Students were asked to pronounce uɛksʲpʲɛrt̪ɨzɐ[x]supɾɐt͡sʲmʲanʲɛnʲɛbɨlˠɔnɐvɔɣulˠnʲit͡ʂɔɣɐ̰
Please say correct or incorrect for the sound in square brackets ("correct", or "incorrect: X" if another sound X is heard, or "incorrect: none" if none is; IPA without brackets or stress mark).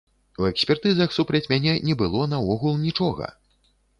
correct